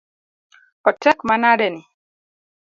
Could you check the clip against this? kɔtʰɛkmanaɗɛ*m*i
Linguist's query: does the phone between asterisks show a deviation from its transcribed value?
yes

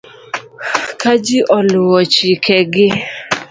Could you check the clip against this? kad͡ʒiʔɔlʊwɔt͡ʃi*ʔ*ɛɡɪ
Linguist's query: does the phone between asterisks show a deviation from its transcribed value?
yes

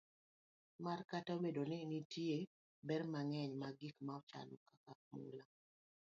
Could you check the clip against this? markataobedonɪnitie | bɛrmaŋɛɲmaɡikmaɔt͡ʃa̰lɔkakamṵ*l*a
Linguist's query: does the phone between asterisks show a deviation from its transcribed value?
no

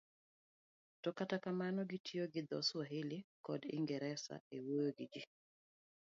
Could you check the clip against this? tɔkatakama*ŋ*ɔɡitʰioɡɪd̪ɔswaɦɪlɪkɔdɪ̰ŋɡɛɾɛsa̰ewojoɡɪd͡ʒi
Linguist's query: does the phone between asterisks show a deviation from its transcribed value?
yes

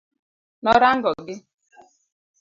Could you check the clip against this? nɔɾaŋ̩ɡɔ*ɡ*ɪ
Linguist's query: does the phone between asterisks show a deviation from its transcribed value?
no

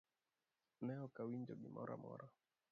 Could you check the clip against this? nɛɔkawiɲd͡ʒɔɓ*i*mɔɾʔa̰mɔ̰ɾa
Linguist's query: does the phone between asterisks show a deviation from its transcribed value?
no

